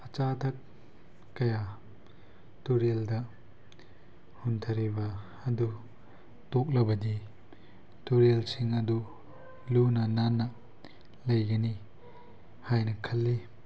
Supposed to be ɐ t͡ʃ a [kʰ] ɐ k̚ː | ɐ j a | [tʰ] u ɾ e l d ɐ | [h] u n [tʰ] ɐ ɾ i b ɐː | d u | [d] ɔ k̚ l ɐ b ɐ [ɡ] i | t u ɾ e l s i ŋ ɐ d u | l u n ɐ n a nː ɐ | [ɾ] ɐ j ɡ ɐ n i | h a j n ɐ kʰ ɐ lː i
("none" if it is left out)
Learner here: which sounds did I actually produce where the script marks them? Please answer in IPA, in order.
tʰ, t, h, tʰ, t, d, l

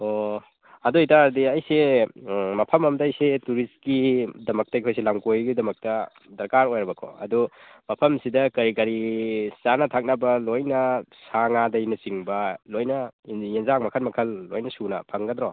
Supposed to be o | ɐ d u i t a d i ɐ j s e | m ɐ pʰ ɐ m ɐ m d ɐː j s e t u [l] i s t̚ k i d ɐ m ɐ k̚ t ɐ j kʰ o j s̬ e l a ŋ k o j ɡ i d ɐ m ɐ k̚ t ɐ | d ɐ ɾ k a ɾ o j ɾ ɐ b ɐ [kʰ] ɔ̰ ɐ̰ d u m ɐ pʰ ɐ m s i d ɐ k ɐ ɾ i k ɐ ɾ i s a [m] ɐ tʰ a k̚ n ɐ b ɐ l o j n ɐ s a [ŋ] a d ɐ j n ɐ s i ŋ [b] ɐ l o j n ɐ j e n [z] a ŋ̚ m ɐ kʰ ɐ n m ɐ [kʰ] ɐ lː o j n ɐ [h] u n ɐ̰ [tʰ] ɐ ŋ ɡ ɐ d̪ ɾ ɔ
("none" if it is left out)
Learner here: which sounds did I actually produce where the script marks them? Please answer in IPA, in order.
ɾ, kʰ, n, ŋ, b, z, kʰ, s, pʰ

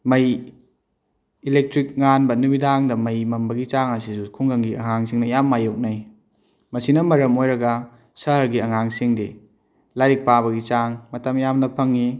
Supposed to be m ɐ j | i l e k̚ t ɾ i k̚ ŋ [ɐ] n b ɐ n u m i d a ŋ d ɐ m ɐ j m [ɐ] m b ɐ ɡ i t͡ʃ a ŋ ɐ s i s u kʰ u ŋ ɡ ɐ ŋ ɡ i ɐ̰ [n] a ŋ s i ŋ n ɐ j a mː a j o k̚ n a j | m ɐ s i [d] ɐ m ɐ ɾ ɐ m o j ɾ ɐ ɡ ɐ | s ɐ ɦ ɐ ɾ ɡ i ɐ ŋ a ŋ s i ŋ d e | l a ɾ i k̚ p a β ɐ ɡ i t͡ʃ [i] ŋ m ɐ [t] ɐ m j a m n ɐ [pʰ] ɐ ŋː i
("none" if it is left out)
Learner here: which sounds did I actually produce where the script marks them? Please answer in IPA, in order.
a, ɐ, ŋ, n, a, t, pʰ

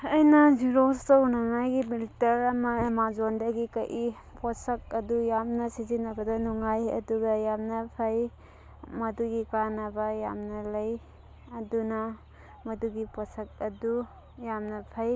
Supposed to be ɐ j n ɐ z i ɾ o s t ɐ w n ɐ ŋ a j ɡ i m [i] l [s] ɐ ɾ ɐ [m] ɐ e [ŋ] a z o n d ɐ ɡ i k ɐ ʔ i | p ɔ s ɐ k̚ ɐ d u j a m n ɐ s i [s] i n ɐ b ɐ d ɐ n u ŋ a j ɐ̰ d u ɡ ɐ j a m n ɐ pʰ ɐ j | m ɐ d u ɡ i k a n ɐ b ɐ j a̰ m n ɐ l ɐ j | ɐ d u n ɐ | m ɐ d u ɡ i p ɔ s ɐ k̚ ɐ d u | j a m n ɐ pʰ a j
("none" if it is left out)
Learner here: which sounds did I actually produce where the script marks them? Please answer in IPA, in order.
i, t, m, m, z

